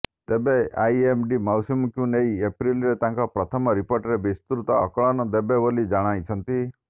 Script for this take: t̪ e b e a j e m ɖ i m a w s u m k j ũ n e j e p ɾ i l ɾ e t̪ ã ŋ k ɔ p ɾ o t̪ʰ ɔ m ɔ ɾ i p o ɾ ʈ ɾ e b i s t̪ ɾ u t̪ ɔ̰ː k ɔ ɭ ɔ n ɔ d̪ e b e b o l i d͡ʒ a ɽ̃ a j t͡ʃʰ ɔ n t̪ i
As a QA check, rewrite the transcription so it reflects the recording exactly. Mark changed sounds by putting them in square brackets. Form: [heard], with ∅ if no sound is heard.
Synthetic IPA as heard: t̪ e b e a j e m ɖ i m a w s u m k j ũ n e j e p ɾ i l ɾ e t̪ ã ŋ k ɔ p ɾ [ɔ] t̪ʰ ɔ m ɔ ɾ i p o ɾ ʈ ɾ e b i s t̪ ɾ u t̪ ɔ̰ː k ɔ ɭ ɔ n ɔ d̪ e b e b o l i d͡ʒ a ɽ̃ a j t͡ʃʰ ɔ n t̪ i